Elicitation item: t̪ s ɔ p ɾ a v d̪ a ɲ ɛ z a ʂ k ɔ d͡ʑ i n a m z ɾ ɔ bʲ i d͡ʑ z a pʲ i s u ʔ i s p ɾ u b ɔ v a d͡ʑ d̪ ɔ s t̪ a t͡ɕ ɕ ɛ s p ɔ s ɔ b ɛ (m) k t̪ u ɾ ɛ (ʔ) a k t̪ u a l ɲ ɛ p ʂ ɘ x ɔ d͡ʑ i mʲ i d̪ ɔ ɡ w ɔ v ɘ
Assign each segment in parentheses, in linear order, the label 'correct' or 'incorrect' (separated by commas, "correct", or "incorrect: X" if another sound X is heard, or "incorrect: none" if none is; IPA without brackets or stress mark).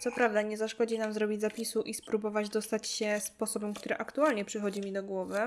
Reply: correct, correct